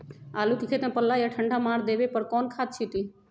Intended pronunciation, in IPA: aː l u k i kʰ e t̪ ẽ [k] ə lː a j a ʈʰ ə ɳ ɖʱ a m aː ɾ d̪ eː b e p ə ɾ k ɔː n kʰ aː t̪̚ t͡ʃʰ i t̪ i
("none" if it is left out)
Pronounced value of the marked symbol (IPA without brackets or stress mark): p